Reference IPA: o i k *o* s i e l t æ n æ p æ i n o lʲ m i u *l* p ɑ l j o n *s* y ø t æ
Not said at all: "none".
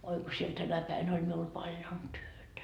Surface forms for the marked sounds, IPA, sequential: o, l, t

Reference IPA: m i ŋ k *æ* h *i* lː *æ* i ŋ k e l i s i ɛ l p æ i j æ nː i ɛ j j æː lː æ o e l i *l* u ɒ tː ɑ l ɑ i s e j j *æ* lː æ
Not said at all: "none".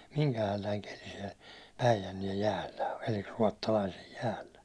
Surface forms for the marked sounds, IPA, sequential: æ, æ, æ, r, æː

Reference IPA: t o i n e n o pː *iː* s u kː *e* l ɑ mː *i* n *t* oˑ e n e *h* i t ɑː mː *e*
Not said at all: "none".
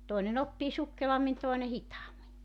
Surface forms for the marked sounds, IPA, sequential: iː, e, i, t, h, i

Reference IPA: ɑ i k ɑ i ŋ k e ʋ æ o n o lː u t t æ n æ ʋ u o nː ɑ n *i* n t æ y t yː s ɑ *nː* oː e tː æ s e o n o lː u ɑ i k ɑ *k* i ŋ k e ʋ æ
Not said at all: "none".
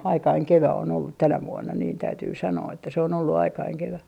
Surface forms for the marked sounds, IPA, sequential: iː, n, none

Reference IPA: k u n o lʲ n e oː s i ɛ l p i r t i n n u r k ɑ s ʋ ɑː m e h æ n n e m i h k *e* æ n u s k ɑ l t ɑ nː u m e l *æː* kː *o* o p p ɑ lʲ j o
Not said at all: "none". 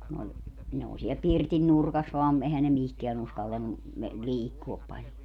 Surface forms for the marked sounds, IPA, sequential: e, iː, u

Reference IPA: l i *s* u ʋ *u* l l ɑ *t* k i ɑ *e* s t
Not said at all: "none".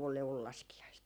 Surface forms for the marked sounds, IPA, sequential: none, u, s, i

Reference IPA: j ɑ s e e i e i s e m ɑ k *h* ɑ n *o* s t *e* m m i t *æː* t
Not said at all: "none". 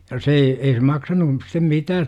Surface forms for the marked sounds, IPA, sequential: s, u, e, æː

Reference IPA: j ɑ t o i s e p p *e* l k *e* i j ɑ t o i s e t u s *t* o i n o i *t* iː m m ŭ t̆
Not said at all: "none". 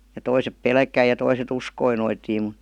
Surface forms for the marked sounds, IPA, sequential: e, æ, k, t

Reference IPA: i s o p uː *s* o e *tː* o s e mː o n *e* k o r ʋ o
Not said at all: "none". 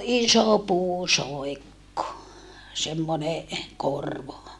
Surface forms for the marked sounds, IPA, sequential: s, kː, e

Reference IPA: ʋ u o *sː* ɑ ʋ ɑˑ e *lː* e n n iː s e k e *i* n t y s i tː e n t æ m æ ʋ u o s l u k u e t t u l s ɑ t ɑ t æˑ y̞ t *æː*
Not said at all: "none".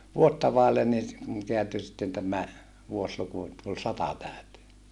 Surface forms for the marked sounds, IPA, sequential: tː, lː, æ, eː

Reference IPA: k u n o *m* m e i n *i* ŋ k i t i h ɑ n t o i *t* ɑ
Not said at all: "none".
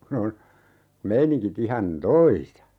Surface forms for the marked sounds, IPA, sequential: n, i, s

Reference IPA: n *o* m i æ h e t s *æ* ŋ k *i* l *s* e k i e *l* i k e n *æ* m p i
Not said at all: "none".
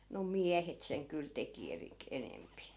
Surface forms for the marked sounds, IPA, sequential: o, e, y, t, r, e

